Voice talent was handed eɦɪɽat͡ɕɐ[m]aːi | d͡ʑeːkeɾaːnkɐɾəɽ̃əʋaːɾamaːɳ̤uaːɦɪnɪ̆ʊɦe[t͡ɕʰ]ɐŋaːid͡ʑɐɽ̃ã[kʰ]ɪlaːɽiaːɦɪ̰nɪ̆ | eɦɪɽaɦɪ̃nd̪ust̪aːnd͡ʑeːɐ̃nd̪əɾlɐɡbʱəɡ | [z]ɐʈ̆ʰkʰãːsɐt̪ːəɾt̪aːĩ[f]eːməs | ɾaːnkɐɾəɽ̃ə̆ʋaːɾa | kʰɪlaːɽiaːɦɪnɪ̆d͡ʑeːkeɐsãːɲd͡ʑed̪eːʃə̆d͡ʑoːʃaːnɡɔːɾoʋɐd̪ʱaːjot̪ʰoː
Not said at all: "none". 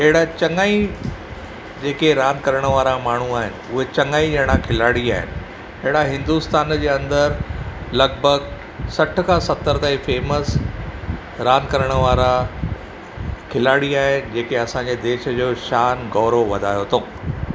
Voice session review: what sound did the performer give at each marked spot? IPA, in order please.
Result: ŋ, t͡ɕ, kʰ, s, f

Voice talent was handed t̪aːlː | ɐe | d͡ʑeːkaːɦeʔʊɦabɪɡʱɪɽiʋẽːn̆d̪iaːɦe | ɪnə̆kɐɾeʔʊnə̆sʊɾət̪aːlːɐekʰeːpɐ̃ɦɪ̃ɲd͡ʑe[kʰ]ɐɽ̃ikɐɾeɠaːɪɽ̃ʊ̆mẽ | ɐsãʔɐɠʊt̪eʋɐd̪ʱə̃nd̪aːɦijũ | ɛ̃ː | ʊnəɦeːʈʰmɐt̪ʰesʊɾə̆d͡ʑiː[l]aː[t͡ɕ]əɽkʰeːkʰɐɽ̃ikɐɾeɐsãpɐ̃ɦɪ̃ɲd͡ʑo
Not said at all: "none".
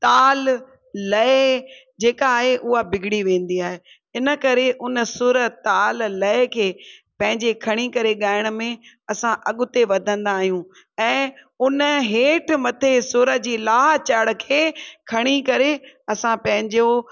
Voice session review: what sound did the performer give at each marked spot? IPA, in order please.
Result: kʰ, l, t͡ɕ

